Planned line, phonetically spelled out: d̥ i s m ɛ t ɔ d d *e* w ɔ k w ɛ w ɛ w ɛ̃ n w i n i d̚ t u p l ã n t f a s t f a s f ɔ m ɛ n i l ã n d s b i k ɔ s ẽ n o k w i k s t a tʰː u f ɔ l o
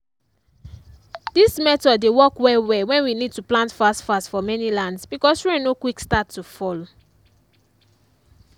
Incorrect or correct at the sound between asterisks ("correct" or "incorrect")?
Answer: correct